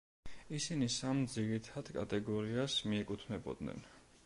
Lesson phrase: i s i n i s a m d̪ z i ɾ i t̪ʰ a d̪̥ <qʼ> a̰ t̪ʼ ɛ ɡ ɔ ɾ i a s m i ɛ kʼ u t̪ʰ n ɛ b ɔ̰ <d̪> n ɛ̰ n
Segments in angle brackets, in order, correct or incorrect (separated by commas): incorrect, correct